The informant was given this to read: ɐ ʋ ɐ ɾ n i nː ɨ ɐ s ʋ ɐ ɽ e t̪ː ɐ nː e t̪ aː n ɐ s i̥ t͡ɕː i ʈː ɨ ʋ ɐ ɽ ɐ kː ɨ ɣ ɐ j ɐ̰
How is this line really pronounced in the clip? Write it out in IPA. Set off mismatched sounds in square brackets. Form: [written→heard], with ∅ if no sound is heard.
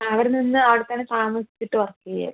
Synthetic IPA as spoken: ɐ ʋ ɐ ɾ n i nː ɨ ɐ [s→∅] ʋ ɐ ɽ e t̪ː ɐ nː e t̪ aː [n→m] ɐ s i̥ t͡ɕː i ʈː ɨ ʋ ɐ [ɽ→r] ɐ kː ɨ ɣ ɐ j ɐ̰